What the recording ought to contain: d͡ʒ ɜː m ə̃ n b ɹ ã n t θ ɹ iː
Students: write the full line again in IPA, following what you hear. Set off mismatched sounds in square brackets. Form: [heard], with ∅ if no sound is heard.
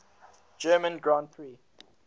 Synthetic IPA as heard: d͡ʒ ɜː m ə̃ n [ɡ] ɹ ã n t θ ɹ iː